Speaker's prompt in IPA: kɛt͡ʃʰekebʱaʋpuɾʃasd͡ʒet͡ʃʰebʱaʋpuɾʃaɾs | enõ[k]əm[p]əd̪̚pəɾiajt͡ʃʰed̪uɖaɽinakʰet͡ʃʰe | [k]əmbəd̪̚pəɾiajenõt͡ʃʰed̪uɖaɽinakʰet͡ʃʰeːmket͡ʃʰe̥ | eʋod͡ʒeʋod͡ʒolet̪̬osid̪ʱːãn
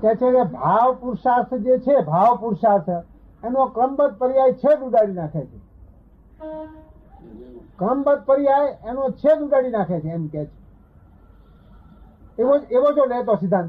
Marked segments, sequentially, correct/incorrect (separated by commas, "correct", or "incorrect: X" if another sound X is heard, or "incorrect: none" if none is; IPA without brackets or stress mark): correct, incorrect: b, correct